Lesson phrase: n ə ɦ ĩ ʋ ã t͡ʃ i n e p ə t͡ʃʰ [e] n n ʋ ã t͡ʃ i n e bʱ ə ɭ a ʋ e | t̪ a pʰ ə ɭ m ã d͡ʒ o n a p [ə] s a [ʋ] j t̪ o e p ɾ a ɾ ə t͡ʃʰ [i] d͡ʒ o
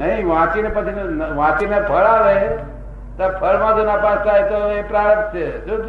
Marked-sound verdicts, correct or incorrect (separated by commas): incorrect, incorrect, incorrect, incorrect